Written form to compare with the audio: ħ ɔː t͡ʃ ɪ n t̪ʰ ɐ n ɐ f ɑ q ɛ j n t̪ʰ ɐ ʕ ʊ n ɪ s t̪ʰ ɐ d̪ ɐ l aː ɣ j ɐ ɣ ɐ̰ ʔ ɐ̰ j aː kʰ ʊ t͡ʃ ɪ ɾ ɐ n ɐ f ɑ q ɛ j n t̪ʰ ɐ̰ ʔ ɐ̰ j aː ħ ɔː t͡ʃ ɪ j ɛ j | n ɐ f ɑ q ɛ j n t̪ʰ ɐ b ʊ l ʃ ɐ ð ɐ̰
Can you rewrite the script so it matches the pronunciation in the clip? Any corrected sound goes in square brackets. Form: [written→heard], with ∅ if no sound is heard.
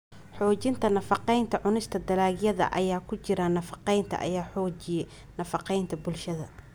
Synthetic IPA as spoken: ħ ɔː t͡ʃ ɪ n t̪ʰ ɐ n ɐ f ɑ q ɛ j n t̪ʰ ɐ ʕ ʊ n ɪ s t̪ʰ ɐ d̪ ɐ l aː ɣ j ɐ [ɣ→ð] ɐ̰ ʔ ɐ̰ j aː kʰ ʊ t͡ʃ ɪ ɾ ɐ n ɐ f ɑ q ɛ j n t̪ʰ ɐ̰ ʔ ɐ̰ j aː ħ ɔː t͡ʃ ɪ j ɛ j | n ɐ f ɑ q ɛ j n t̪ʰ ɐ b ʊ l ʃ ɐ ð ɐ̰